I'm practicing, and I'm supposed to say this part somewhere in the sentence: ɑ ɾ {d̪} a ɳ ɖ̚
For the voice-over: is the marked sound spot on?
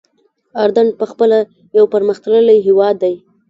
yes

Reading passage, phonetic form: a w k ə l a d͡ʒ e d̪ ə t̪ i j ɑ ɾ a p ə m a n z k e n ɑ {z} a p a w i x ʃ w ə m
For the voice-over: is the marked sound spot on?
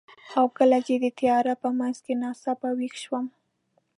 no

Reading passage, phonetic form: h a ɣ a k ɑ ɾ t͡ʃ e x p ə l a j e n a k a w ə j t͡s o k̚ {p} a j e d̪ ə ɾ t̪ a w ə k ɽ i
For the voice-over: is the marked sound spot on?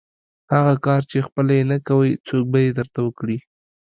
no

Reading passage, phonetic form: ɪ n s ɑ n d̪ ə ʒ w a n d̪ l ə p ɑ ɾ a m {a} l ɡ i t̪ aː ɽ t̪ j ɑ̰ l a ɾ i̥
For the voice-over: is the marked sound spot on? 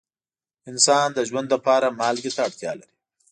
no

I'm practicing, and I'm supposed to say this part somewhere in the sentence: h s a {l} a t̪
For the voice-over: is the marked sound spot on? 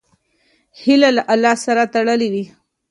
no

